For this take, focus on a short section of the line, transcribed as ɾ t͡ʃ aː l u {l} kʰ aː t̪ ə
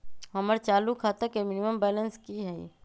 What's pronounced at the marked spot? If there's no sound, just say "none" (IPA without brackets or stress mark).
none